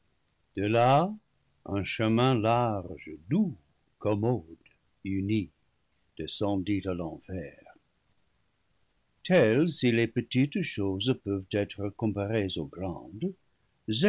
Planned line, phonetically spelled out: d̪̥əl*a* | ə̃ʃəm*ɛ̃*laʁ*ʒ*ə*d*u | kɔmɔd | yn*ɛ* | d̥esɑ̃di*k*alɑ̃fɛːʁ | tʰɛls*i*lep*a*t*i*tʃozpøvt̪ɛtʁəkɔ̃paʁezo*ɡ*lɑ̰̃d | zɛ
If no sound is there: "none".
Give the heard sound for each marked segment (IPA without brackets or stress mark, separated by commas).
a, ɛ̃, ʒ, d, i, t, i, ə, i, ɡ